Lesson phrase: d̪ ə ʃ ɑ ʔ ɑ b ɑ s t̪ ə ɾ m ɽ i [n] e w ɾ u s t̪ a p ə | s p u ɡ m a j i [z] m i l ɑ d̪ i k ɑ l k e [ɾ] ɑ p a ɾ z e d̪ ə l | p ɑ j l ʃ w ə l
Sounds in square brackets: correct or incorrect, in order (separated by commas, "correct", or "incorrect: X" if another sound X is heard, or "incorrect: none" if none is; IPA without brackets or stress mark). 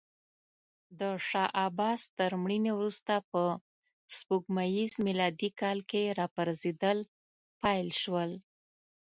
correct, correct, correct